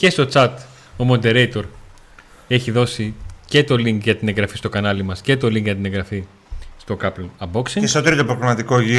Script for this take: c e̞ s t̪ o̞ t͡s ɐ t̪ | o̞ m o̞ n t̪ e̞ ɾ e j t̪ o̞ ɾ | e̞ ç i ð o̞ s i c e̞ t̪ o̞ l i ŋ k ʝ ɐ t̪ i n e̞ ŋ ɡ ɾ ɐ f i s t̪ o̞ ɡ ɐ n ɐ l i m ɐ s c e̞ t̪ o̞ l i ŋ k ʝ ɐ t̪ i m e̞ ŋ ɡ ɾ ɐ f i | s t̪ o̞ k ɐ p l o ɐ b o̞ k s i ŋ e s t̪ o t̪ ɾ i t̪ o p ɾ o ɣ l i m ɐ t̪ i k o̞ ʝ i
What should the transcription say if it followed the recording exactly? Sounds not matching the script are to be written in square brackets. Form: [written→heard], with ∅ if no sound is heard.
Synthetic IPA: c e̞ s t̪ o̞ t͡s ɐ t̪ | o̞ m o̞ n [t̪→d̪] e̞ ɾ e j t̪ o̞ ɾ | e̞ ç i ð o̞ s i c e̞ t̪ o̞ l i ŋ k ʝ ɐ t̪ i n e̞ ŋ ɡ ɾ ɐ f i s t̪ o̞ [ɡ→k] ɐ n ɐ l i m ɐ s c e̞ t̪ o̞ l i ŋ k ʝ ɐ t̪ i [m→n] e̞ ŋ ɡ ɾ ɐ f i | s t̪ o̞ k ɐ p l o ɐ b o̞ k s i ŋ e s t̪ o t̪ ɾ i t̪ o p ɾ o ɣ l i m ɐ t̪ i k o̞ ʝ i